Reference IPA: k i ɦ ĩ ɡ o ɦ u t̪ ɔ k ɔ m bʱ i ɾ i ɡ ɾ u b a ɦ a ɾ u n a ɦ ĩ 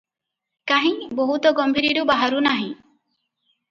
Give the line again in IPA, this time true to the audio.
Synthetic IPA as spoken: k a ɦ ĩ b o ɦ u t̪ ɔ ɡ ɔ m bʱ i ɾ i ɾ u b a ɦ a ɾ u n a ɦ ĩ